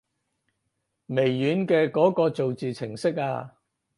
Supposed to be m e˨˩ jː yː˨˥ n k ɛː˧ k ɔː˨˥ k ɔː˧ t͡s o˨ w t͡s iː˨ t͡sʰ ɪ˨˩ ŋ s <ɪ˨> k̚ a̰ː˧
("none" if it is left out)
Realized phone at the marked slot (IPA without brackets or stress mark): ɪ˥